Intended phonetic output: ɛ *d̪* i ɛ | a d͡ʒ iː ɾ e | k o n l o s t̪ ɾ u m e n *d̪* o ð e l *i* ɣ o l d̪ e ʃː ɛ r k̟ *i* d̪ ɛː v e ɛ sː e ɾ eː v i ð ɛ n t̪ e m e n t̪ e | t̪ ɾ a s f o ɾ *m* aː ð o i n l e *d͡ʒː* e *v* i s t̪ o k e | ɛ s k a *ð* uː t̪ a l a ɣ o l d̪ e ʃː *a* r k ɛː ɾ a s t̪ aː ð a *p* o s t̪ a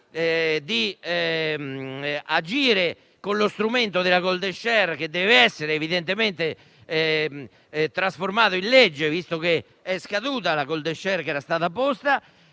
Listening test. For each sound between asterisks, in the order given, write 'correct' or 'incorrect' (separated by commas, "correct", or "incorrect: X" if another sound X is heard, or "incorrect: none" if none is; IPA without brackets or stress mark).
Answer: correct, incorrect: t̪, incorrect: a, incorrect: e, correct, correct, correct, correct, incorrect: ɛ, correct